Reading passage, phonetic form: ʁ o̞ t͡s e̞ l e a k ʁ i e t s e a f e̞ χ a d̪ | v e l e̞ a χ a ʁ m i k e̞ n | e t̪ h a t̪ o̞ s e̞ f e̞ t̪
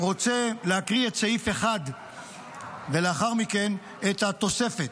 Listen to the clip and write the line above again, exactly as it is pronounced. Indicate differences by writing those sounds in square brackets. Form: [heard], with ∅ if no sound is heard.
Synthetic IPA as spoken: ʁ o̞ t͡s e̞ l e a k ʁ i e t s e [i] f e̞ χ a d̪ | v e l e̞ a χ a ʁ m i k e̞ n | e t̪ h a t̪ o̞ s e̞ f e̞ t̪